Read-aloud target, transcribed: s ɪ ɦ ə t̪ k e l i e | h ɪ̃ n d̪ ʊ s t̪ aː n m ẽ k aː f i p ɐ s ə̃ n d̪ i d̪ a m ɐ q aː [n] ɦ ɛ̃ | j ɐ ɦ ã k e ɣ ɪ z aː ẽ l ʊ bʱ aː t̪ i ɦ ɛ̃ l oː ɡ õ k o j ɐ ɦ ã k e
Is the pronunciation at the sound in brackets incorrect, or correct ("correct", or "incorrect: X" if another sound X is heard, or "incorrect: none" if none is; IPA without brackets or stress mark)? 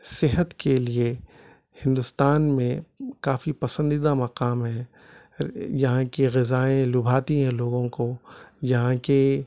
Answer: incorrect: m